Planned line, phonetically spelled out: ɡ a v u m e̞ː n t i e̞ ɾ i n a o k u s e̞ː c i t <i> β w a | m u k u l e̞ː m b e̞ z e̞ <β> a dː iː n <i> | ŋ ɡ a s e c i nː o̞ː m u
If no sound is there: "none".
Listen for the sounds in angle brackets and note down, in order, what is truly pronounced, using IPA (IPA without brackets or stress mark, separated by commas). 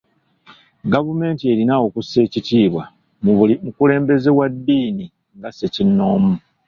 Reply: iː, w, i